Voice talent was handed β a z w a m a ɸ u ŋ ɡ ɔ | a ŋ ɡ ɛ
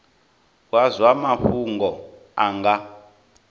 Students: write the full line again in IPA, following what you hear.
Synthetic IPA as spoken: w a z w a m a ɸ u ŋ ɡ ɔ | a ŋ ɡ a